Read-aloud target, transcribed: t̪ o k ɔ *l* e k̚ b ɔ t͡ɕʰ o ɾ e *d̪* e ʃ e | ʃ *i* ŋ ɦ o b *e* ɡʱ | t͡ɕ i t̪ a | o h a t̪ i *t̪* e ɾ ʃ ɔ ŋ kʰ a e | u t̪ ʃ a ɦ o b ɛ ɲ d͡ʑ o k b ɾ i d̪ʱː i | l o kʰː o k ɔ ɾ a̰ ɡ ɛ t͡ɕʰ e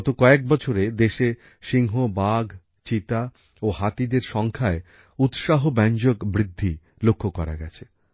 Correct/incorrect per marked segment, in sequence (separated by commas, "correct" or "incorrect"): incorrect, correct, correct, incorrect, incorrect